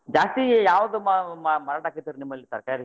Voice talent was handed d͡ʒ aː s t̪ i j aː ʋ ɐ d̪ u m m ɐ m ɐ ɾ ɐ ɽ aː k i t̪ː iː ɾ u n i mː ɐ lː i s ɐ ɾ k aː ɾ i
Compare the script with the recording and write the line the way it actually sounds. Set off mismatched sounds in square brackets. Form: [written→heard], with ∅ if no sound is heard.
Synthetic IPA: d͡ʒ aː s t̪ i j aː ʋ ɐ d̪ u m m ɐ m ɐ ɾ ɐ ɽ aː k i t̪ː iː ɾ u n i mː ɐ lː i s ɐ ɾ k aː ɾ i